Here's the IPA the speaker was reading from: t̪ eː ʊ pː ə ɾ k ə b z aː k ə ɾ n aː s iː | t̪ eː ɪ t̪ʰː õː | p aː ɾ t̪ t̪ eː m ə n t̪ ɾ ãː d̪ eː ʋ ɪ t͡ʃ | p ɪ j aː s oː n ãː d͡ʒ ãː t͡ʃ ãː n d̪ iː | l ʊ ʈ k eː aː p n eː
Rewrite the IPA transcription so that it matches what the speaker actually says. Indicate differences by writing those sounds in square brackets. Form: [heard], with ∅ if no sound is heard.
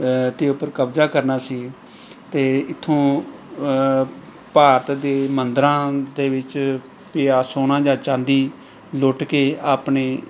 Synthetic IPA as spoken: t̪ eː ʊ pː ə ɾ k ə b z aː k ə ɾ n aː s iː | t̪ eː ɪ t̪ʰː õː | p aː ɾ t̪ [d̪] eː m ə n [d̪] ɾ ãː d̪ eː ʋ ɪ t͡ʃ | p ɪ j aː s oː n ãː d͡ʒ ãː t͡ʃ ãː n d̪ iː | l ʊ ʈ k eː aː p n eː